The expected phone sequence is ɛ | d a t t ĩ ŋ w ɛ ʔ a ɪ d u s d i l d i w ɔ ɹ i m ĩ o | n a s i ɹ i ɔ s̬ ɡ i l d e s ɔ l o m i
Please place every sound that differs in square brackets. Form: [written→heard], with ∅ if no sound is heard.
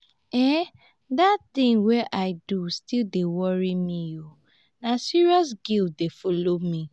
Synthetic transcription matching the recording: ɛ | d a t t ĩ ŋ w ɛ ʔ a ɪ d u s [d→t] i l d [i→e] w ɔ ɹ i m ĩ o | n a s i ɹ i ɔ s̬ ɡ i l d e [s→f] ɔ l o m i